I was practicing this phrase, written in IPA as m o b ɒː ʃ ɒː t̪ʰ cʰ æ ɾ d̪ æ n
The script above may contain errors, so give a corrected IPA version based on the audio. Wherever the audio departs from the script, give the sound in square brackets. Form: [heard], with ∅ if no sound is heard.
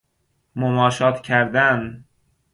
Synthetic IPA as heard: m o [m] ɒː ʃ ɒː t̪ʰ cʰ æ ɾ d̪ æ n